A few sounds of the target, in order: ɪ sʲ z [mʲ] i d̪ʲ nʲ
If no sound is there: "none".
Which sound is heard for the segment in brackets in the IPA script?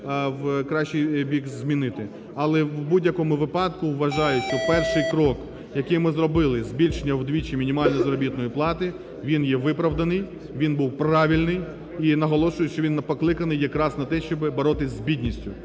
bʲ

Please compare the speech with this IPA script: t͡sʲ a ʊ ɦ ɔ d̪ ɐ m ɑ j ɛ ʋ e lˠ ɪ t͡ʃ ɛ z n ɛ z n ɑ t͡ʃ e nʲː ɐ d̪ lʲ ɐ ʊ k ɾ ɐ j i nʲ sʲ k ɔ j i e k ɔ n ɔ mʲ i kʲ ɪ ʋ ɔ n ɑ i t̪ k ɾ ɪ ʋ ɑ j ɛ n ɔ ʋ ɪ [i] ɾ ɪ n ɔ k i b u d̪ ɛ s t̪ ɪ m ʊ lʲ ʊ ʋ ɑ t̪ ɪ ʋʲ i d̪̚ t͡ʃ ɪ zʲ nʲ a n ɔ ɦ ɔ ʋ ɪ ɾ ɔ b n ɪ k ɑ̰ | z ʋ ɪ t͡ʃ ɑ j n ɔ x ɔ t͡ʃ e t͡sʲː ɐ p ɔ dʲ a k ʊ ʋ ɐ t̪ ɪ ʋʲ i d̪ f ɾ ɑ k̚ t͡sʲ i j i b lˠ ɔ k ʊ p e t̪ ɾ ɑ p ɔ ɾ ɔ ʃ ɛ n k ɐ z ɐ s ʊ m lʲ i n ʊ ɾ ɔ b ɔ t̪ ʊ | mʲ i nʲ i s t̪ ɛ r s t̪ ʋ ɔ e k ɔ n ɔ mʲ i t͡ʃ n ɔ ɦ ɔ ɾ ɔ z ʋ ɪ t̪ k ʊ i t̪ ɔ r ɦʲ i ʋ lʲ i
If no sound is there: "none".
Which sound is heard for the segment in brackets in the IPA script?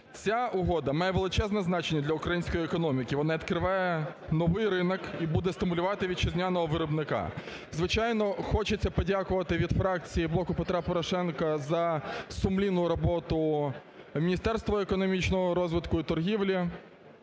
j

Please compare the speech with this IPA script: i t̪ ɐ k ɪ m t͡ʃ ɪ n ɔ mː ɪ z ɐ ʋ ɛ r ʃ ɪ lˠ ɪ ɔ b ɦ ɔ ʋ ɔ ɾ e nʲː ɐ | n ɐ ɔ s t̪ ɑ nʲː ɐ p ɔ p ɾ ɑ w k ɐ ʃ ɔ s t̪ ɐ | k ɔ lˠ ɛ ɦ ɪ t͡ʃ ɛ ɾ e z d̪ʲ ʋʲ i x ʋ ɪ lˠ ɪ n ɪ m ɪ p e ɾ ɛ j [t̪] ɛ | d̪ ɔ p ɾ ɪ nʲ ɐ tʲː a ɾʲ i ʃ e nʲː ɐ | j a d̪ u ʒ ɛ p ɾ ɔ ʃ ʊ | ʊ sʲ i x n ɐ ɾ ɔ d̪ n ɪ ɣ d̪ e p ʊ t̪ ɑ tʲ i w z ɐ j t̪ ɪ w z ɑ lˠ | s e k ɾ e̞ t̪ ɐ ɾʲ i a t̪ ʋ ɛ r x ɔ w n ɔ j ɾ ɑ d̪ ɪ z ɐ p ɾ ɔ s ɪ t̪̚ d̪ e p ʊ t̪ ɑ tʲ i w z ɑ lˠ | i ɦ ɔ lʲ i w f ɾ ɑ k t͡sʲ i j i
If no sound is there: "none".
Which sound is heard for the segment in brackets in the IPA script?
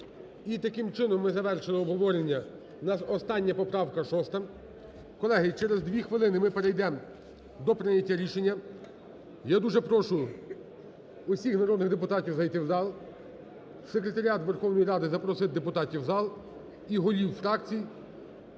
d̪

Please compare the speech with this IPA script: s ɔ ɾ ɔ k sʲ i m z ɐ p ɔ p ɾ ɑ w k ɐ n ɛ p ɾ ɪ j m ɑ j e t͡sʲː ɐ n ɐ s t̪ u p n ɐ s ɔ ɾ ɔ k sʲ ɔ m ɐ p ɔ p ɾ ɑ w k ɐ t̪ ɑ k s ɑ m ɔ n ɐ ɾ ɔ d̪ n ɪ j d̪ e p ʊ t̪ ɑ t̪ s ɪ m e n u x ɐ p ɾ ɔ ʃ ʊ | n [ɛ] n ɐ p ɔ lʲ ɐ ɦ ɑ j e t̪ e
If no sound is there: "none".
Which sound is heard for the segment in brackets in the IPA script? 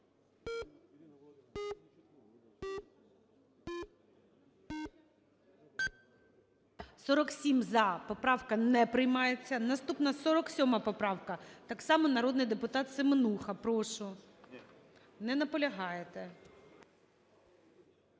ɛ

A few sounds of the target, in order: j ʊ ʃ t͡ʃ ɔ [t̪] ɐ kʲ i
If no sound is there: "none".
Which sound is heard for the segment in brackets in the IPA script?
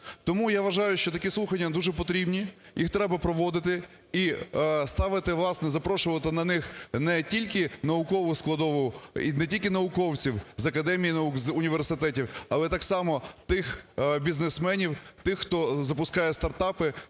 t̪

